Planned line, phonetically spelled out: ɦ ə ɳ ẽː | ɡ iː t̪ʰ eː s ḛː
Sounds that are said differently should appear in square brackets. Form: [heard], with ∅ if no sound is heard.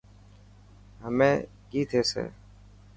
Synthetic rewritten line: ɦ ə [m] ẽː | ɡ iː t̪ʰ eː s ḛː